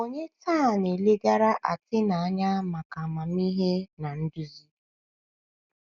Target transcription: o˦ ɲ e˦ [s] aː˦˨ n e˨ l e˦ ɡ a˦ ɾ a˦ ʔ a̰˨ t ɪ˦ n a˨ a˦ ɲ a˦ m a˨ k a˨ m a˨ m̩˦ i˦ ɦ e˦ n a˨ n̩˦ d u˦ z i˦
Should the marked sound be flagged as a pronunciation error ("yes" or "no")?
yes